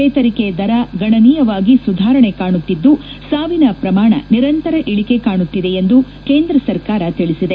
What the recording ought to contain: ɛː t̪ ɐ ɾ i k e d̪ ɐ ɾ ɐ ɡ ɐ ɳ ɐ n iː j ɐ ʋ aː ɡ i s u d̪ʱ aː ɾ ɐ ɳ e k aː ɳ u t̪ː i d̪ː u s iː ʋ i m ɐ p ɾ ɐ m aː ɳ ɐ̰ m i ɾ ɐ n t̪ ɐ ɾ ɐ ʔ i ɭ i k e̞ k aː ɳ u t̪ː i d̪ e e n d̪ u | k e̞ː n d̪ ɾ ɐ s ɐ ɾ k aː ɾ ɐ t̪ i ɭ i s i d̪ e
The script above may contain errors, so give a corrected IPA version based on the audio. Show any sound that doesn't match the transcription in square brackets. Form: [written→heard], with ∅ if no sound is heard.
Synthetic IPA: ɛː t̪ ɐ ɾ i k e d̪ ɐ ɾ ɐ ɡ ɐ ɳ ɐ n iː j ɐ ʋ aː ɡ i s u d̪ʱ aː ɾ ɐ ɳ e k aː ɳ u t̪ː i d̪ː u s [iː→aː] ʋ i [m→n] ɐ p ɾ ɐ m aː ɳ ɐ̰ [m→n] i ɾ ɐ n t̪ ɐ ɾ ɐ ʔ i ɭ i k e̞ k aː ɳ u t̪ː i d̪ e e n d̪ u | k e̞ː n d̪ ɾ ɐ s ɐ ɾ k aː ɾ ɐ t̪ i ɭ i s i d̪ e